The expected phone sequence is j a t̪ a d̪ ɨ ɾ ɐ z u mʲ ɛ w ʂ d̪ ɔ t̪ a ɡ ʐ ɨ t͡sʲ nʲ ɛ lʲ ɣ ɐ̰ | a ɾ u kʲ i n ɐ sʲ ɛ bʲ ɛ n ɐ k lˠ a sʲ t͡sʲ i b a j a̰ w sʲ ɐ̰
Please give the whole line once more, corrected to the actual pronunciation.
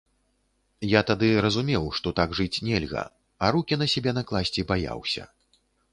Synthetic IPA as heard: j a t̪ a d̪ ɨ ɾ ɐ z u mʲ ɛ w ʂ t̪ ɔ t̪ a ɡ ʐ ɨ t͡sʲ nʲ ɛ lʲ ɣ ɐ̰ | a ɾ u kʲ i n ɐ sʲ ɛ bʲ ɛ n ɐ k lˠ a sʲ t͡sʲ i b a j a̰ w sʲ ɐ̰